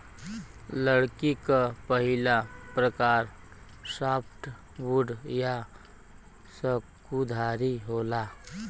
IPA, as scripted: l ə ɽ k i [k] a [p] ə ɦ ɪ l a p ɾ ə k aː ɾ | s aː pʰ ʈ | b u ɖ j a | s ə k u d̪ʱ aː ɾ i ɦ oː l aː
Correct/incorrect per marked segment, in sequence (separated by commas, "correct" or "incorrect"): correct, correct